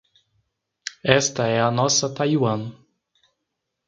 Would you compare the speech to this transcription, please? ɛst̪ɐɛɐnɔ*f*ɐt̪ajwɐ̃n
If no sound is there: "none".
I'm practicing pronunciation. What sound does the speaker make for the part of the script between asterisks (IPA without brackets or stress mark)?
s